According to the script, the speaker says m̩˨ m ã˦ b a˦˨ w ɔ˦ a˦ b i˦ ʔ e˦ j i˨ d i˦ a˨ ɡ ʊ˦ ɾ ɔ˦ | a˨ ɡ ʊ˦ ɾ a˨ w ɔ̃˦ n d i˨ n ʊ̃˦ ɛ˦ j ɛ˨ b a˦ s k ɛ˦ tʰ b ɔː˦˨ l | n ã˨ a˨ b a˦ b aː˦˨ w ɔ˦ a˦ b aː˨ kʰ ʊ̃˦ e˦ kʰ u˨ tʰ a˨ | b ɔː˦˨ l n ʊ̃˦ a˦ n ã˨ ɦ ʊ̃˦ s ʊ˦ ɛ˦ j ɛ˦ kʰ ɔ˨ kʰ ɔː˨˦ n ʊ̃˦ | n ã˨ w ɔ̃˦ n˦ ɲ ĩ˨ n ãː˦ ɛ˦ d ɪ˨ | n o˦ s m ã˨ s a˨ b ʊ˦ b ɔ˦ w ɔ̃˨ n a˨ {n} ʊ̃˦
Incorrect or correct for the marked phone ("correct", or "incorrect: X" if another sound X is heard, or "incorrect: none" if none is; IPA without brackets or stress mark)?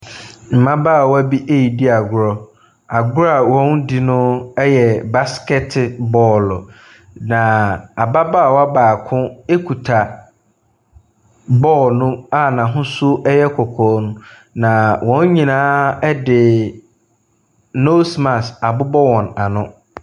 correct